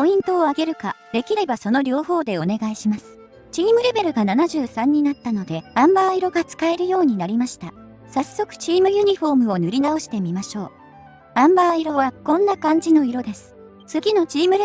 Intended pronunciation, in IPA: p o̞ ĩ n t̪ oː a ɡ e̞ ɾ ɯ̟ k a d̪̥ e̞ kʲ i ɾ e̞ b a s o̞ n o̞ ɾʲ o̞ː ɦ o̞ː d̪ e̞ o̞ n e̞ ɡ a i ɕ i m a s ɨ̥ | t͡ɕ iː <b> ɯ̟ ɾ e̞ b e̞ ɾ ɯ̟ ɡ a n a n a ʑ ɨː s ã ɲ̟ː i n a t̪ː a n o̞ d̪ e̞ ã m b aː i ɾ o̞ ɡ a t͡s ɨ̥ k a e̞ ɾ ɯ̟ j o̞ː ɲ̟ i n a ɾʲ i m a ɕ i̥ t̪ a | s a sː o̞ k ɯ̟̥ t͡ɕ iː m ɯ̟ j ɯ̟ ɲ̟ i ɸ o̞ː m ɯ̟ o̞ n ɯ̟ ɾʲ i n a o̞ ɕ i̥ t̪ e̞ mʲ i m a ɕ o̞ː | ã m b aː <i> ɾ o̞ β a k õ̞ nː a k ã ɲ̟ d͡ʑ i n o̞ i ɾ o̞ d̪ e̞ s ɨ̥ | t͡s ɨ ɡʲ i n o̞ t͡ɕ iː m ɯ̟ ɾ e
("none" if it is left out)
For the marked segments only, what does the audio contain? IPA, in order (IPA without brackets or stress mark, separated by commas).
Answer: m, i